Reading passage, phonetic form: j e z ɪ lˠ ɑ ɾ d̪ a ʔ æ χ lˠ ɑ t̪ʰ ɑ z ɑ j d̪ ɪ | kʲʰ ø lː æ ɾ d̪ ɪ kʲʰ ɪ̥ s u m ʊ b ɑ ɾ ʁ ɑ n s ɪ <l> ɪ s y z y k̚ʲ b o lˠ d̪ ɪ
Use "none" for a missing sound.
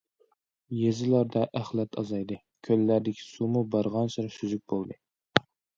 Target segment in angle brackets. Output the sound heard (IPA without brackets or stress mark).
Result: ɾ